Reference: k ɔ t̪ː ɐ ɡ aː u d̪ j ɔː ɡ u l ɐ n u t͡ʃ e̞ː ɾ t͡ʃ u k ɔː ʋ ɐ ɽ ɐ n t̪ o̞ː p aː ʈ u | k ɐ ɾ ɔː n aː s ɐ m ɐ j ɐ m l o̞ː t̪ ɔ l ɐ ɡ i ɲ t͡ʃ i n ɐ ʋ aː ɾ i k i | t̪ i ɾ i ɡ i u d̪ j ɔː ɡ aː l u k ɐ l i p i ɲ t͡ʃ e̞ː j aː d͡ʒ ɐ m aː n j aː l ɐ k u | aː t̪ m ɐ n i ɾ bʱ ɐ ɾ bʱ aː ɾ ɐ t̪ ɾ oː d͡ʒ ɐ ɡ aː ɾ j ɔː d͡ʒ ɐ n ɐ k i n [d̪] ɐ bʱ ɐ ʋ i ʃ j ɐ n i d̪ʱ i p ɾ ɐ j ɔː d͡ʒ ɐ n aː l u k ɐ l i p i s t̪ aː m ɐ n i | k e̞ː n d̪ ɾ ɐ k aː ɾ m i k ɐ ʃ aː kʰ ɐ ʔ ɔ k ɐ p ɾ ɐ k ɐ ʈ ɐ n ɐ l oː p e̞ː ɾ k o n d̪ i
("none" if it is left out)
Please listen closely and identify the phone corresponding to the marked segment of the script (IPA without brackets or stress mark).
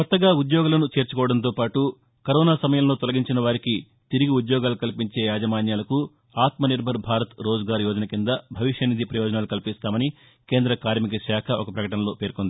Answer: d̪